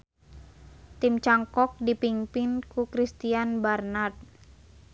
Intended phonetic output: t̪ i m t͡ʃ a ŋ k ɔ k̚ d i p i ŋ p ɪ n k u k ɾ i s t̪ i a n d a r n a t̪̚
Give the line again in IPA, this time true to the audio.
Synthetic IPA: t̪ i m t͡ʃ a ŋ k ɔ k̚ d i p i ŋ p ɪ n k u k ɾ i s t̪ i a n b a r n a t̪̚